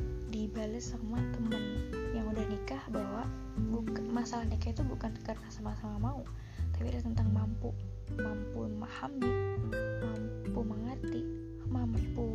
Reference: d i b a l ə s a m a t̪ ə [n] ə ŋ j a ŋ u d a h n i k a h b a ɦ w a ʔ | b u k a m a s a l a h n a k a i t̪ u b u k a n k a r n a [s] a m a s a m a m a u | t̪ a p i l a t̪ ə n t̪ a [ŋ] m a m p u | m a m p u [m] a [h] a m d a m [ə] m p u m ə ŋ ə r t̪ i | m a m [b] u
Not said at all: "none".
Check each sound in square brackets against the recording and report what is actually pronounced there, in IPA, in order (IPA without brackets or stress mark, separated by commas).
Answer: m, s, ŋ, m, h, a, p